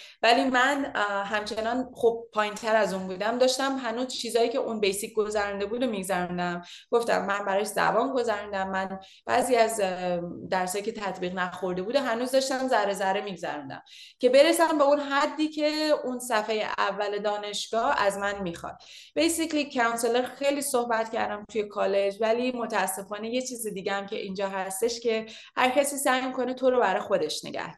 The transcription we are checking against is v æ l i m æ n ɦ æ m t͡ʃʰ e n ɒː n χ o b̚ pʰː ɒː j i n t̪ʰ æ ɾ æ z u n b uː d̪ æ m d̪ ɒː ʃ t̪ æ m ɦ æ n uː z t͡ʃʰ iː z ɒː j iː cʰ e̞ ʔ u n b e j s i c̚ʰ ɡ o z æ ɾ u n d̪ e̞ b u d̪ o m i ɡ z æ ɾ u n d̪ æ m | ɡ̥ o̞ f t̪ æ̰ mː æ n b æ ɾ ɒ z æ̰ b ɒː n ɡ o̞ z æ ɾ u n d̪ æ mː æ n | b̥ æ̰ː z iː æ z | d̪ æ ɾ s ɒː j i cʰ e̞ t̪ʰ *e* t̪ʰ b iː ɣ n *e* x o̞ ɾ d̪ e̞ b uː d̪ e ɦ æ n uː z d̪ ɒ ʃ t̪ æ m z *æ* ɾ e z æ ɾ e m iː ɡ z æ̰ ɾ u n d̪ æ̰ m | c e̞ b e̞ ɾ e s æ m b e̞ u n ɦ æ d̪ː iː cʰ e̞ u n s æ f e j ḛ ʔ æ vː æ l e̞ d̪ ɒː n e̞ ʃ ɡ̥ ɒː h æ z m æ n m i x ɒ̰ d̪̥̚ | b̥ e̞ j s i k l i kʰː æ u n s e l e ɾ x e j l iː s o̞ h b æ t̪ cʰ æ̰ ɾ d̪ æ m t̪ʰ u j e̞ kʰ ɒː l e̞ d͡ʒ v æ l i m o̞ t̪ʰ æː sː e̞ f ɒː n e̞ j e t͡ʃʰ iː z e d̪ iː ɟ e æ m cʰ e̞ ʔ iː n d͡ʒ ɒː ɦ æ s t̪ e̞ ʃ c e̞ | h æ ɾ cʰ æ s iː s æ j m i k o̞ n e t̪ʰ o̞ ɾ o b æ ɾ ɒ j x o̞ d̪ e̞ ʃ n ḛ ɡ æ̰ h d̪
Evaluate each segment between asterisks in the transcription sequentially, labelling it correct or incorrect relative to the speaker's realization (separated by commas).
incorrect, incorrect, correct